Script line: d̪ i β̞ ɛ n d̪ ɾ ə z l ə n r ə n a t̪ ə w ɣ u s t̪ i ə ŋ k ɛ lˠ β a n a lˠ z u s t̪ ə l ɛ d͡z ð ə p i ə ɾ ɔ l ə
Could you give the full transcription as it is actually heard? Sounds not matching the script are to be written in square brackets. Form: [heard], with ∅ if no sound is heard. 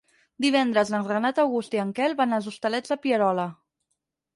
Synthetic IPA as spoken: d̪ i β̞ ɛ n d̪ ɾ ə z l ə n r ə n a t̪ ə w ɣ u s t̪ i ə ŋ k ɛ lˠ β a n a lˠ z u s t̪ ə l ɛ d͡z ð ə p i ə ɾ ɔ l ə